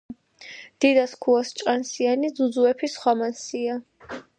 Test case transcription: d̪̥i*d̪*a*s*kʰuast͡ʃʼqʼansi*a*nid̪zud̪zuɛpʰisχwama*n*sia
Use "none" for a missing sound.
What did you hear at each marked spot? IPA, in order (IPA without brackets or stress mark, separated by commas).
d̪, s, a, n